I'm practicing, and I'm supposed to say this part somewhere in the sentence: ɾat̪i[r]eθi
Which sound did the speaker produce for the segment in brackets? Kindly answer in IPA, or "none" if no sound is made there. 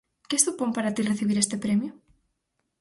r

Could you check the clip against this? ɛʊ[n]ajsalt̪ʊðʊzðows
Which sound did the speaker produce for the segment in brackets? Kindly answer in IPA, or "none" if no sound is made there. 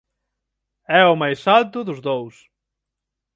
m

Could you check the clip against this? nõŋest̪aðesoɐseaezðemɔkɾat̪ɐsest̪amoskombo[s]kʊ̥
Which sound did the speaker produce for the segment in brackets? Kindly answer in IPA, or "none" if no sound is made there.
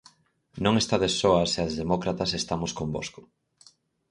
s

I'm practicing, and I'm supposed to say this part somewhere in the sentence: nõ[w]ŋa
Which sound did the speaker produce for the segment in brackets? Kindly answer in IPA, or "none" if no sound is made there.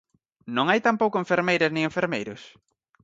none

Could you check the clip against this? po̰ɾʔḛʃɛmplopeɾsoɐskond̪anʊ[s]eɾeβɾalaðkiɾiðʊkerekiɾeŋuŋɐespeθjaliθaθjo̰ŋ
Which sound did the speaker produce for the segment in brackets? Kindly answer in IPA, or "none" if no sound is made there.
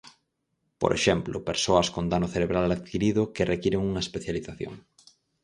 θ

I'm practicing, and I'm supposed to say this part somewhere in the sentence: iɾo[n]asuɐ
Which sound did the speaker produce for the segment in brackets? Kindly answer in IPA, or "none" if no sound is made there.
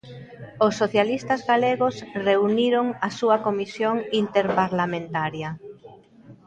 ŋ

